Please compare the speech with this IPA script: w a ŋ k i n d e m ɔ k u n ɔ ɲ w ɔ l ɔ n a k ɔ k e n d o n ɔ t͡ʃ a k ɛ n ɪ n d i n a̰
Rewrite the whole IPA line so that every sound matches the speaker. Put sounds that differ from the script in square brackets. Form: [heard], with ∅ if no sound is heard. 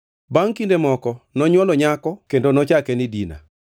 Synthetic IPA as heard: [b] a ŋ k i n d e m ɔ k [ɔ] n ɔ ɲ w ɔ l ɔ [ɲ] a k ɔ k e n d o n ɔ t͡ʃ a k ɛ n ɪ [∅] d i n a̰